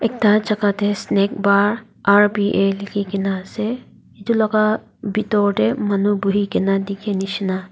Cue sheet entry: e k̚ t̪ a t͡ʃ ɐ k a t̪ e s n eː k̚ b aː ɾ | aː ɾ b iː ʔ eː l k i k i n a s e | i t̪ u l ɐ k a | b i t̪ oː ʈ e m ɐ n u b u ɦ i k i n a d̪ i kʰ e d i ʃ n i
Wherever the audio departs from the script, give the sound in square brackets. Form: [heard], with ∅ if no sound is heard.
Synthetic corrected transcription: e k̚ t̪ a t͡ʃ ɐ k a t̪ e s n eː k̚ b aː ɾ | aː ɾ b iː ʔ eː l k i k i n a s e | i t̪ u l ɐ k a | b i t̪ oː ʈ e m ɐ n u b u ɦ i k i n a d̪ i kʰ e [n] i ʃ n [a]